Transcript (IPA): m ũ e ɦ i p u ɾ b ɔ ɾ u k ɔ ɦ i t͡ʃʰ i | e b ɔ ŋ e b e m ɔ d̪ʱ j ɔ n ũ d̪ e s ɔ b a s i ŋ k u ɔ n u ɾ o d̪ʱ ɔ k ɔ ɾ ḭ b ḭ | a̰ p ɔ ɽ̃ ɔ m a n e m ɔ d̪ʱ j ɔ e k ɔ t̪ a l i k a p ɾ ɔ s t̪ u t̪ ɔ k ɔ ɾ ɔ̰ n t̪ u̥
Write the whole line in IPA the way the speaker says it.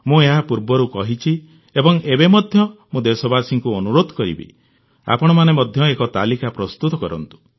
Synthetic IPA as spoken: m ũ e ɦ a p u ɾ b ɔ ɾ u k ɔ ɦ i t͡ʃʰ i | e b ɔ ŋ e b e m ɔ d̪ʱ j ɔ m ũ d̪ e s ɔ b a s i ŋ k u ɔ n u ɾ o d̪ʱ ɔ k ɔ ɾ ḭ b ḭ | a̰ p ɔ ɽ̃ ɔ m a n e m ɔ d̪ʱ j ɔ e k ɔ t̪ a l i k a p ɾ ɔ s t̪ u t̪ ɔ k ɔ ɾ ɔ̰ n t̪ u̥